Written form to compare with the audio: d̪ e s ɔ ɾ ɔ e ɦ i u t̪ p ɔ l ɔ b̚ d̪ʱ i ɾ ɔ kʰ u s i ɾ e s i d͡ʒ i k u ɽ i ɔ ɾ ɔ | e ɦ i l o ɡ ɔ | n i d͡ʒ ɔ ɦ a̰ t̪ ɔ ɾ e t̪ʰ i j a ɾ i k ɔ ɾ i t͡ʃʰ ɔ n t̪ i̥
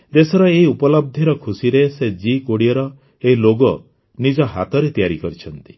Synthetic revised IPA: d̪ e s ɔ ɾ ɔ e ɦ i u p ɔ l ɔ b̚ d̪ʱ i ɾ ɔ kʰ u s i ɾ e s e d͡ʒ i k o ɽ i ɔ ɾ ɔ | e ɦ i l o ɡ ɔ | n i d͡ʒ ɔ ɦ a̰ t̪ ɔ ɾ e t̪ i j a ɾ i k ɔ ɾ i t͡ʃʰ ɔ n t̪ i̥